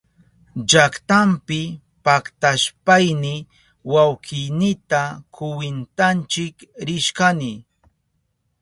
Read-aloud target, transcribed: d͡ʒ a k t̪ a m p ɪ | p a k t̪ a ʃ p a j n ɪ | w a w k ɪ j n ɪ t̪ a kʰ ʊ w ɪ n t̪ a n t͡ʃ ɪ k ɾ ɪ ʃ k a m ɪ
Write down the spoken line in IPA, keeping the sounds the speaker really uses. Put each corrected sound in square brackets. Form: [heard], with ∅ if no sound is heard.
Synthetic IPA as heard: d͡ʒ a k t̪ a m p ɪ | p a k t̪ a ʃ p a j n ɪ | w a w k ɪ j n ɪ t̪ a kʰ ʊ w ɪ n t̪ a n t͡ʃ ɪ k ɾ ɪ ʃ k a [n] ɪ